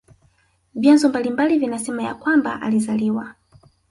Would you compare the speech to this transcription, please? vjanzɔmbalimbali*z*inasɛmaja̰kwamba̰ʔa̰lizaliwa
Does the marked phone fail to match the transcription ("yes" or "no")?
yes